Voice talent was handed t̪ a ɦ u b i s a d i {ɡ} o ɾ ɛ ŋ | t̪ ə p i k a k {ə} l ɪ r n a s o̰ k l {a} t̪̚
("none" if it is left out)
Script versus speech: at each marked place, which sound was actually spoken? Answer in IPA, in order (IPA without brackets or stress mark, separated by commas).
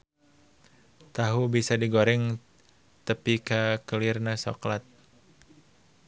ɡ, ə, a